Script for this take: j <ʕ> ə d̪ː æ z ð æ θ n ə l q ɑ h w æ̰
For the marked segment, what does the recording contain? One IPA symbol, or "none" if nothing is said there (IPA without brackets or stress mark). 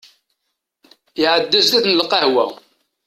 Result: ʕ